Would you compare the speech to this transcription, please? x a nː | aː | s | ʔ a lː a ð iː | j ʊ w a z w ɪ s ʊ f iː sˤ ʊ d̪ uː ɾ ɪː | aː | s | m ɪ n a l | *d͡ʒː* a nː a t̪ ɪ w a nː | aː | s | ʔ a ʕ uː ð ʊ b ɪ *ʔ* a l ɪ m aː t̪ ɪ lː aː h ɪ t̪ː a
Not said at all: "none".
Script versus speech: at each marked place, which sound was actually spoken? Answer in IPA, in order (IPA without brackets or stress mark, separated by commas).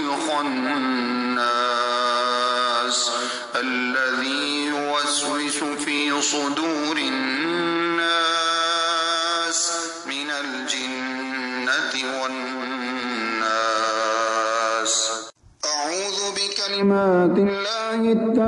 d͡ʒ, k